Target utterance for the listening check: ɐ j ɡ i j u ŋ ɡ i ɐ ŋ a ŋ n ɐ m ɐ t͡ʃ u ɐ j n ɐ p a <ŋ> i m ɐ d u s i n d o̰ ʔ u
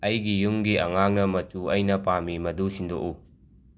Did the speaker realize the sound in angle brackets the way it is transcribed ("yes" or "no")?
no